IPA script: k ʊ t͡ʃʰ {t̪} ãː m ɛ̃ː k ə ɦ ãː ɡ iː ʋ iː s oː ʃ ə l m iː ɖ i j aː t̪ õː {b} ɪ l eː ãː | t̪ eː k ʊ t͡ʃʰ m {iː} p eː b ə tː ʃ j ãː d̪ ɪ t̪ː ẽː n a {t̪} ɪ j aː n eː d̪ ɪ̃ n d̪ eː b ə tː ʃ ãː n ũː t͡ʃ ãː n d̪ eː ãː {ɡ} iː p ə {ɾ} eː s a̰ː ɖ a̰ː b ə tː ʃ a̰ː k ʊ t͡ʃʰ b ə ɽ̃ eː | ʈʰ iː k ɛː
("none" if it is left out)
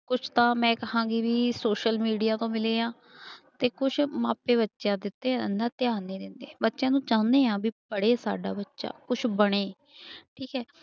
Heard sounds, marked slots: t̪, m, aː, t̪, b, ɽ

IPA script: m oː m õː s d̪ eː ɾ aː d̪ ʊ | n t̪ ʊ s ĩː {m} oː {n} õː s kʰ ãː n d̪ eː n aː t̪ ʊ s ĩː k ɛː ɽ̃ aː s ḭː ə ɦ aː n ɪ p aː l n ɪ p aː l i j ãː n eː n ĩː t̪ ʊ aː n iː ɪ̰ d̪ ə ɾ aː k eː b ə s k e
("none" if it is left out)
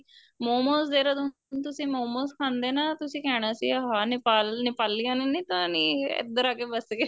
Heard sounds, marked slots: m, m

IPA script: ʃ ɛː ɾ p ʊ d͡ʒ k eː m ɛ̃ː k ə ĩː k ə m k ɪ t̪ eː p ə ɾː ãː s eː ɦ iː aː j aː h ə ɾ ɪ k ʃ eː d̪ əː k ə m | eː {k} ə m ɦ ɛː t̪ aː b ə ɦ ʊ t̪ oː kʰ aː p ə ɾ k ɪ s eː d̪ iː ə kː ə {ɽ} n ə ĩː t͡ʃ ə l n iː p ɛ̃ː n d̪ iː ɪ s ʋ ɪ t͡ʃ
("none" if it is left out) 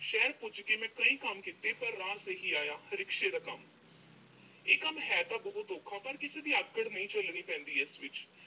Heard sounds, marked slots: k, ɽ

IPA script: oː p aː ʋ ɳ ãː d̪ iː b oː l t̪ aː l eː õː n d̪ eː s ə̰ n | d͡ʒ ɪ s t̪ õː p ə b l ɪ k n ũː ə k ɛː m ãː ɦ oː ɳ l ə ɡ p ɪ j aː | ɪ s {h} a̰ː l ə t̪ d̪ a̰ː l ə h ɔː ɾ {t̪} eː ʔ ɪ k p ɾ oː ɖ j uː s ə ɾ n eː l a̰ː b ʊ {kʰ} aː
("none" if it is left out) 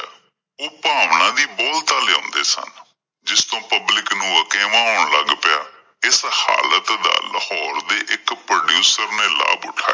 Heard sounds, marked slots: h, d̪, ʈʰ

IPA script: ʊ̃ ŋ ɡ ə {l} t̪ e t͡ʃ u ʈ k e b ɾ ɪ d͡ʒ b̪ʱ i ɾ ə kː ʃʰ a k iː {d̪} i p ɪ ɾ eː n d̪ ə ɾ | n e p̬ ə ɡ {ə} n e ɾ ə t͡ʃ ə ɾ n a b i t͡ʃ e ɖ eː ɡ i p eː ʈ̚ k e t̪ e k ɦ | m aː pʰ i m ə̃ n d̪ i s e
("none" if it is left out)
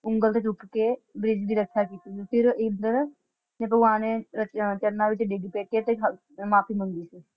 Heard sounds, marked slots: l, t̪, a

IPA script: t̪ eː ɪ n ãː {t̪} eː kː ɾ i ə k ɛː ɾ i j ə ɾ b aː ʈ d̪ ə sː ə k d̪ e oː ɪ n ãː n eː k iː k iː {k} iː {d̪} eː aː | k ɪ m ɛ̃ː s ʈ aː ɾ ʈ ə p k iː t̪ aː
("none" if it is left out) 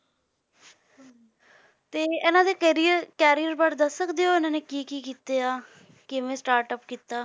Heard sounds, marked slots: d̪, k, t̪

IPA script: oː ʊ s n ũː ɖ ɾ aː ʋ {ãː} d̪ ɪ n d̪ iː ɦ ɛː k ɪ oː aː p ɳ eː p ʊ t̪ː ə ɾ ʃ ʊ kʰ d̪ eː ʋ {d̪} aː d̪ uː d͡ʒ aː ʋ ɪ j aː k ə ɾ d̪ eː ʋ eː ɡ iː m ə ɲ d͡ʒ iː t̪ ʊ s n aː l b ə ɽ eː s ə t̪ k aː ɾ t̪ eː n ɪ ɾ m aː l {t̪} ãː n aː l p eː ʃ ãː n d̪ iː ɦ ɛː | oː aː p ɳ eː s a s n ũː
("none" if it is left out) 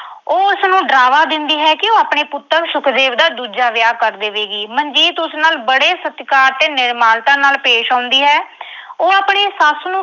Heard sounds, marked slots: aː, d̪, t̪

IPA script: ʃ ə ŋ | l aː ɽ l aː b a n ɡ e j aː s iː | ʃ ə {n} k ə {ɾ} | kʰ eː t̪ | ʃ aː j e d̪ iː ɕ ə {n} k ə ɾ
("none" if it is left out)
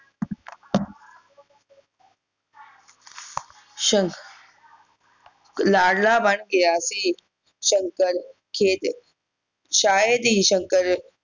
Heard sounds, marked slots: ŋ, ɾ, ŋ

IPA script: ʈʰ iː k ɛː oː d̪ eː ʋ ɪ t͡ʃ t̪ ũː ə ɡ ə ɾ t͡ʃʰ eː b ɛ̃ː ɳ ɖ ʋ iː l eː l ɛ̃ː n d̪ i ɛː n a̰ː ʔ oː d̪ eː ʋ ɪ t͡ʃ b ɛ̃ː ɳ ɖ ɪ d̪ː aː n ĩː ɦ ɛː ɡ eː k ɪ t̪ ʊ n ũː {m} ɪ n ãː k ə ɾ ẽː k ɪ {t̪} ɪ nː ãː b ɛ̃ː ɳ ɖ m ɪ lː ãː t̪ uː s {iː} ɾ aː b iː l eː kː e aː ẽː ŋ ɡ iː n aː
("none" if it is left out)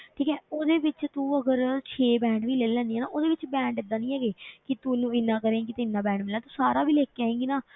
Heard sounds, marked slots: none, t̪, aː

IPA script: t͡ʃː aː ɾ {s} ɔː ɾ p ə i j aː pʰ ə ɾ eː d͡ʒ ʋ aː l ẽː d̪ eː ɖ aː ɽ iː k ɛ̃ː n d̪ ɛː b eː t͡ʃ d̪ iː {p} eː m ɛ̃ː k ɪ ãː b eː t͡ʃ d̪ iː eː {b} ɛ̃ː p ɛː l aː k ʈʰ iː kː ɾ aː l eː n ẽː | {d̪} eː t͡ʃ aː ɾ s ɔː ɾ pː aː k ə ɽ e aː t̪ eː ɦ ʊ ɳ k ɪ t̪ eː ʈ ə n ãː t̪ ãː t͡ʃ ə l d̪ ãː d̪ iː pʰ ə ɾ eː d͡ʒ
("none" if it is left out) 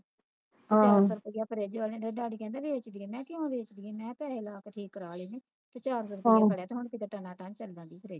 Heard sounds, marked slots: s, none, m, t̪

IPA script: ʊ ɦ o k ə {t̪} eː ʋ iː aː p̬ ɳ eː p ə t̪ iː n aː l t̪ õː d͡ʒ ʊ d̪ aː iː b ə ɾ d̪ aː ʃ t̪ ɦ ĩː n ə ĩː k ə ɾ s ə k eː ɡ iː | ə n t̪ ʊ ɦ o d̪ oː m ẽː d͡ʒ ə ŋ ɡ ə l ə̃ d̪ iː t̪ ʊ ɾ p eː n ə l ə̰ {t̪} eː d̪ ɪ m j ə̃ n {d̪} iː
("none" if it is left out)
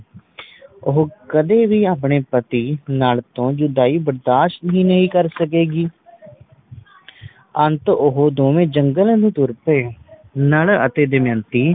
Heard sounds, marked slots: d̪, t̪, t̪

